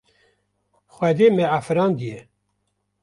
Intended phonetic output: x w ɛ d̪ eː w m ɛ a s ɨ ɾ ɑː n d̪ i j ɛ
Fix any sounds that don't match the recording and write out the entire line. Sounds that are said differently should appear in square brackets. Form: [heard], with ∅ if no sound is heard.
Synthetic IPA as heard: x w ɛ d̪ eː [∅] m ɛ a [f] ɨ ɾ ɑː n d̪ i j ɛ